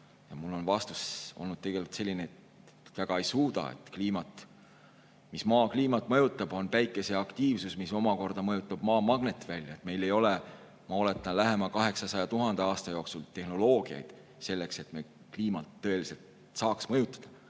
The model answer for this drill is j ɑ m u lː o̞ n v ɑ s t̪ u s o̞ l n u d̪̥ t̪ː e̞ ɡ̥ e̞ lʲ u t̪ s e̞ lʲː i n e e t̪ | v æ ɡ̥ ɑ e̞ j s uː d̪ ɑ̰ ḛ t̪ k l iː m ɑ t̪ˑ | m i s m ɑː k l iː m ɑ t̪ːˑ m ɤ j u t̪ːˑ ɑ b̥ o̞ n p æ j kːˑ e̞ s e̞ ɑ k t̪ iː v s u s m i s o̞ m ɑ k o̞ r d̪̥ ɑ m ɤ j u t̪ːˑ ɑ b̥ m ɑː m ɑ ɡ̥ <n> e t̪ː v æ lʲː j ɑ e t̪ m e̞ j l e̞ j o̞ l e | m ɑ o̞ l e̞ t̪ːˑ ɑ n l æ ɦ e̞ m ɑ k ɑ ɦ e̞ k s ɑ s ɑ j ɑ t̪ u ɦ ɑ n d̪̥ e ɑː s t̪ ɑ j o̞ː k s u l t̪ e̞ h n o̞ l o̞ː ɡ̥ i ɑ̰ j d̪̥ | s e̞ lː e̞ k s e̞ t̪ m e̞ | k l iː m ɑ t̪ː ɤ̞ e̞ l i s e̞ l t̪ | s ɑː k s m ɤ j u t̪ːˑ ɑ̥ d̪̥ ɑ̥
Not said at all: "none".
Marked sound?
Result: n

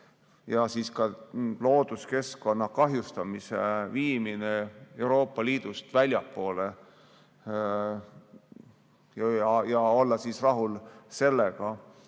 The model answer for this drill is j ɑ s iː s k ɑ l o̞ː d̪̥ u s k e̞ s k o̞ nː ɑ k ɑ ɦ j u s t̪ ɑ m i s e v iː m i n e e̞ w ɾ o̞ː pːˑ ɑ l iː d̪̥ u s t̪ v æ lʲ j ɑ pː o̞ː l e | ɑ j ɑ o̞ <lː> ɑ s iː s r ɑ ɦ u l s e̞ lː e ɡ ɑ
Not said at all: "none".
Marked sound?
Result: lː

